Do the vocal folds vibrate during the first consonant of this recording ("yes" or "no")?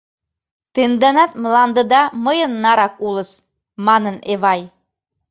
no